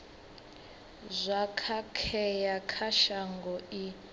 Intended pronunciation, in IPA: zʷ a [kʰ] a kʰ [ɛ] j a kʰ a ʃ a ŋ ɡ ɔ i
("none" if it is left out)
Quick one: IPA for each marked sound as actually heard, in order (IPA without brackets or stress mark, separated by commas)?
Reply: kʰ, ɛ